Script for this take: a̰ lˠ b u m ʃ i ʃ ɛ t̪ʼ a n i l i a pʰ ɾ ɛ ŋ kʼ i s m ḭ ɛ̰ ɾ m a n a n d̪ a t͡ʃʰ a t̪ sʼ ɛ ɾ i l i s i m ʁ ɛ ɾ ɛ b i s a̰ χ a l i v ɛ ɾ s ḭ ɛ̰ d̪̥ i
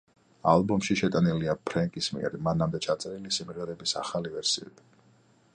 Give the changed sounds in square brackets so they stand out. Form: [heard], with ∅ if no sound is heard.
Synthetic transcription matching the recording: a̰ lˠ b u m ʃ i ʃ ɛ t̪ʼ a n i l i a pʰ ɾ ɛ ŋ kʼ i s m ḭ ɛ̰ ɾ m a n a [m] d̪ [ɛ] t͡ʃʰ a t̪ sʼ ɛ ɾ i l i s i m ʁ ɛ ɾ ɛ b i s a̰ χ a l i v ɛ ɾ s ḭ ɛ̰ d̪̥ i

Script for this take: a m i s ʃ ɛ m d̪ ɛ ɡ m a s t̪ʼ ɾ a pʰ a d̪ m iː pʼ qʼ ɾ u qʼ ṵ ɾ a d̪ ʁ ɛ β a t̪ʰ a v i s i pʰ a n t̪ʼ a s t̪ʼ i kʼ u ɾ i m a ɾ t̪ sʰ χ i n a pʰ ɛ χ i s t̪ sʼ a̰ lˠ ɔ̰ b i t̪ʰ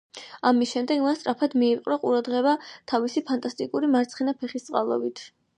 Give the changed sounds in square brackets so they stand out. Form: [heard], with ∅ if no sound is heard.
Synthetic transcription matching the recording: a m i s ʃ ɛ m d̪ ɛ ɡ m a s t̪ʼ ɾ a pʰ a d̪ m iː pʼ qʼ ɾ [ɔ] qʼ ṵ ɾ a d̪ ʁ ɛ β a t̪ʰ a v i s i pʰ a n t̪ʼ a s t̪ʼ i kʼ u ɾ i m a ɾ t̪ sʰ χ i n a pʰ ɛ χ i s t̪ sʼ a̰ lˠ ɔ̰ b i t̪ʰ

